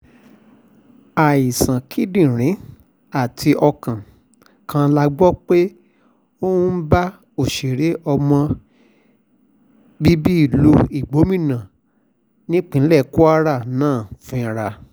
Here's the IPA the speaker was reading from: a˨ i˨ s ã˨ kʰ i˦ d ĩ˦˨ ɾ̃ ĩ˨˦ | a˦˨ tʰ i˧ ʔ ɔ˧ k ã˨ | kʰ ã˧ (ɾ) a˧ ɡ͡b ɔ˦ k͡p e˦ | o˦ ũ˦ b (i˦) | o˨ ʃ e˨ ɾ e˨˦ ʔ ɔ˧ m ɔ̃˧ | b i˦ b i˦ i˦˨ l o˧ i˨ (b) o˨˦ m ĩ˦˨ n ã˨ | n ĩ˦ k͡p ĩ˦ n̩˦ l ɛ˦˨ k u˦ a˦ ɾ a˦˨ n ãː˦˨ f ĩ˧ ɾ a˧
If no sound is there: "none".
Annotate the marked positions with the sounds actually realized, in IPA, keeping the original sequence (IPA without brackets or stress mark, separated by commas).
l, a˦, ɡ͡b